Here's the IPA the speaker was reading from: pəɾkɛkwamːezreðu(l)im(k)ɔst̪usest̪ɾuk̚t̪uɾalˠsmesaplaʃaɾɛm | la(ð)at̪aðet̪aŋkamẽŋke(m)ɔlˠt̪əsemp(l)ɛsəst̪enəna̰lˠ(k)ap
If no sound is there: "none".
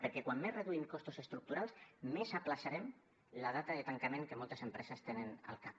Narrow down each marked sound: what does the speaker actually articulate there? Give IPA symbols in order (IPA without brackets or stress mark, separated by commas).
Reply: none, k, ð, m, ɾ, k